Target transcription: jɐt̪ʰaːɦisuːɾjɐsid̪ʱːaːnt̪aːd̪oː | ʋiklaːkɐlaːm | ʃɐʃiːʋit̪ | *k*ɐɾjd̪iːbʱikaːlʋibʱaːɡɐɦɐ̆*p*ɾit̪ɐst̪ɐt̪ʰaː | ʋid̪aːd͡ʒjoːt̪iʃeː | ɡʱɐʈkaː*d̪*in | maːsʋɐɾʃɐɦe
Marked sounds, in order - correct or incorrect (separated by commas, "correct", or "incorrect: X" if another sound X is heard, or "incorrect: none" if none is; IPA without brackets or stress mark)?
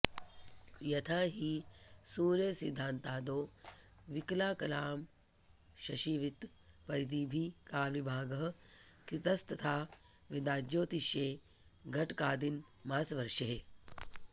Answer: incorrect: p, incorrect: k, correct